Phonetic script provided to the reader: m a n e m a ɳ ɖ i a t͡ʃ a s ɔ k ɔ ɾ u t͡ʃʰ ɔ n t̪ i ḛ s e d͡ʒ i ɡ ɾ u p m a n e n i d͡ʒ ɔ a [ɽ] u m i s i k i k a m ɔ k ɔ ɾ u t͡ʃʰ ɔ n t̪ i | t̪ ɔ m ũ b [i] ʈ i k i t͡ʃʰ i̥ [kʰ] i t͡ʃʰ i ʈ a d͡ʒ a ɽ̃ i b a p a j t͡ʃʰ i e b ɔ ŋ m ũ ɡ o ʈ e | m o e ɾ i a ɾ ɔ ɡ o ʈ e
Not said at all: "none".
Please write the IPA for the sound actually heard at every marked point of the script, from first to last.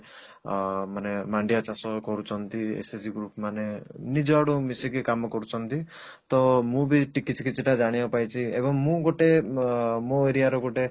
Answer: ɽ, i, k

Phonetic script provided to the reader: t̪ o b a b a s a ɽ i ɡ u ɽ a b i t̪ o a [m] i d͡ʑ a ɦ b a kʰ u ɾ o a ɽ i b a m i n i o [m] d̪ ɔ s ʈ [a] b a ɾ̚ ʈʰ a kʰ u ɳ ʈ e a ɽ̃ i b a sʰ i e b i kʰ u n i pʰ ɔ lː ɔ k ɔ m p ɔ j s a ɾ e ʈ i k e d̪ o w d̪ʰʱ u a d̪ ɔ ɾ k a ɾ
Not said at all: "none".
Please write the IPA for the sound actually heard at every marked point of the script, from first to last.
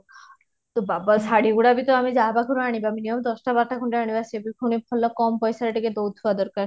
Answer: m, m, a

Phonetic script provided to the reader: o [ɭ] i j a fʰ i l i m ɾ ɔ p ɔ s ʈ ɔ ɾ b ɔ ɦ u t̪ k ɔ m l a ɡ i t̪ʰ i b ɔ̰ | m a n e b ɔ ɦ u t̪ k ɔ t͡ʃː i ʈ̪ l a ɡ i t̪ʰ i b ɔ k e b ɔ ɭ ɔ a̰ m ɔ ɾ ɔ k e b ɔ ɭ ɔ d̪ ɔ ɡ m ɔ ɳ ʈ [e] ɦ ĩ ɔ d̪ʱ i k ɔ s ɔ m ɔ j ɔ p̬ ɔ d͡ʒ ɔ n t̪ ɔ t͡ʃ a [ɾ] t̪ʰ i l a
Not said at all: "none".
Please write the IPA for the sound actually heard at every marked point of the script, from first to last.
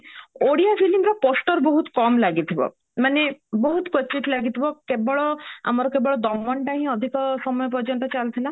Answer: ɽ, a, l

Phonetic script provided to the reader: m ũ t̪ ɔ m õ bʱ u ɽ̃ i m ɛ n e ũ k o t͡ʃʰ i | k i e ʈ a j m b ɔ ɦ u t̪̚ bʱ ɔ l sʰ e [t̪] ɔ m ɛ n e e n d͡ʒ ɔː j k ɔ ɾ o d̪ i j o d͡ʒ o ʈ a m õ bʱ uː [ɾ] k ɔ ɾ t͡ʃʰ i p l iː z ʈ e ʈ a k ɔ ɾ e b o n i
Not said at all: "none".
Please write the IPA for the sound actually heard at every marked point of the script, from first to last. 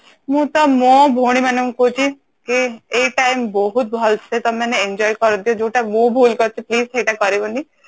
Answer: t̪, l

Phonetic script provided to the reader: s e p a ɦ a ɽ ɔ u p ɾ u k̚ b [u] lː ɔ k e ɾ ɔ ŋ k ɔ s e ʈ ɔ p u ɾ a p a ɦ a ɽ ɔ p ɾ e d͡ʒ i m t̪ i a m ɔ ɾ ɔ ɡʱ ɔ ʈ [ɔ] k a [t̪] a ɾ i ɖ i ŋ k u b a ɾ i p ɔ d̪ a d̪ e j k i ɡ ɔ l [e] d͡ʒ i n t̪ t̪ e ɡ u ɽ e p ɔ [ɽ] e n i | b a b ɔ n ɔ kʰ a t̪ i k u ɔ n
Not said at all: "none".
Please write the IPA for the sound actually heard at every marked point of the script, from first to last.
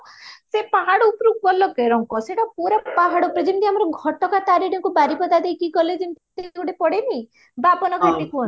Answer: ɔ, ɔ, t̪, e, ɽ

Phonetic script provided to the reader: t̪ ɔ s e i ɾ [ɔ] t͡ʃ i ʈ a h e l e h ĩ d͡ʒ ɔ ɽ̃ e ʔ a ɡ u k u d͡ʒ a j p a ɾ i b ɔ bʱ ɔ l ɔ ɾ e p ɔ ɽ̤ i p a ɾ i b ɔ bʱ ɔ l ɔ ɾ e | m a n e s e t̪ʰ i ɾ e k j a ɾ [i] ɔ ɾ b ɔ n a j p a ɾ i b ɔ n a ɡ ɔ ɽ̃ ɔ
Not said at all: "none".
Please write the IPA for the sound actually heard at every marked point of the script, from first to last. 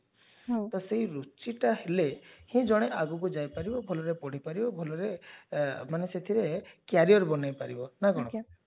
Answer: u, i

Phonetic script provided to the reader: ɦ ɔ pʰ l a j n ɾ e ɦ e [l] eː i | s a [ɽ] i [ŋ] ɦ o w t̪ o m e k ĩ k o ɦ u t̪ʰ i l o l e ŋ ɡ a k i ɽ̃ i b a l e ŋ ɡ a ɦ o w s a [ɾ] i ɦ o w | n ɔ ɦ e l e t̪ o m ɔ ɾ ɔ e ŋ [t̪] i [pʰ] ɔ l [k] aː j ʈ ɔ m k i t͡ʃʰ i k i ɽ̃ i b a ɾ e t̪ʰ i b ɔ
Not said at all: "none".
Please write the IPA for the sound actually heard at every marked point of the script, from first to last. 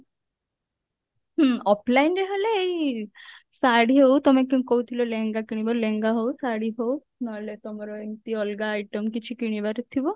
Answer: l, ɽ, none, ɽ, t̪, none, ɡ

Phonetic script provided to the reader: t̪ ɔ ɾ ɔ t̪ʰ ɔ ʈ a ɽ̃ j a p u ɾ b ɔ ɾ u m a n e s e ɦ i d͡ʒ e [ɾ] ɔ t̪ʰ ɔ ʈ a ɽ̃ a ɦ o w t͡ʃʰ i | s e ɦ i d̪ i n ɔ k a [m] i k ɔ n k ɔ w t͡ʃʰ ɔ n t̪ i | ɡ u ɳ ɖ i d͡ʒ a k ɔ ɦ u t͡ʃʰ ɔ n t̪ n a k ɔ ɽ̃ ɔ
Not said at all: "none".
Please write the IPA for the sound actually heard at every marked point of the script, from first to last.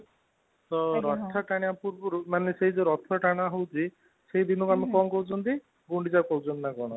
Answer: ɾ, m

